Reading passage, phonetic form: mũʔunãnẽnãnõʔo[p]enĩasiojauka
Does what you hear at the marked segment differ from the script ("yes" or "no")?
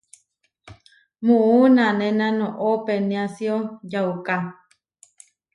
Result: no